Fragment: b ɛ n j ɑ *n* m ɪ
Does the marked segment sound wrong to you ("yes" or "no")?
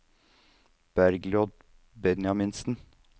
yes